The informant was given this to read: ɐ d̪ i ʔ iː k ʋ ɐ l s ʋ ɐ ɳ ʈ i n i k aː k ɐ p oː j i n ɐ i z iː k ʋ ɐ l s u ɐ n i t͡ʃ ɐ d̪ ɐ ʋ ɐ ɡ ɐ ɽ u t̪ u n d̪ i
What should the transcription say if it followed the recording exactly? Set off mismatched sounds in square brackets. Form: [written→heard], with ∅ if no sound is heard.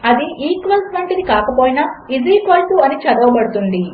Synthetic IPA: ɐ d̪ i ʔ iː k ʋ ɐ l s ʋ ɐ ɳ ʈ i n i k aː k ɐ p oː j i n ɐ i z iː k ʋ ɐ l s u ɐ n i t͡ʃ ɐ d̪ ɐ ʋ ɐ [ɡ→b] ɐ ɽ u t̪ u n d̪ i